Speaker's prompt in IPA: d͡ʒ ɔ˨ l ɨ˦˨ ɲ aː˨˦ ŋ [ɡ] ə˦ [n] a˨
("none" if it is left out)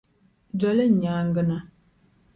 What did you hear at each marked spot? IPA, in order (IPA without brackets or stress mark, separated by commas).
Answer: ɡ, n